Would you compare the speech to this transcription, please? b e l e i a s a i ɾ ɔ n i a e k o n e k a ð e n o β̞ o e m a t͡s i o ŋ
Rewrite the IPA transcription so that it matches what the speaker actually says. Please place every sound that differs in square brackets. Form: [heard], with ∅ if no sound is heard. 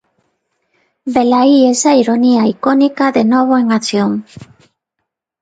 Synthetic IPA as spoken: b e l [a] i [e] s a i ɾ [o] n i a [i] k o n [i] k a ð e n o β̞ o e [ŋ] a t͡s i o ŋ